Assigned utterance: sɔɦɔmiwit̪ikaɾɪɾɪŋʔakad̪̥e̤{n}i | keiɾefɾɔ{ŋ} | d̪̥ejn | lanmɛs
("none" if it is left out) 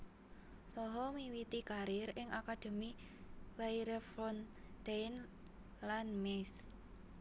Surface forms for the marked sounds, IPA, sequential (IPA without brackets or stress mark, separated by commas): m, n